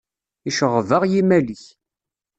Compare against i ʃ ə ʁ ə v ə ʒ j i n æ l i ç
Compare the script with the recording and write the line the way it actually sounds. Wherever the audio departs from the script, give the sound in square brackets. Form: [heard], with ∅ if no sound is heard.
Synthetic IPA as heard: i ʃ ə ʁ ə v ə [ʁ] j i [m] æ l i ç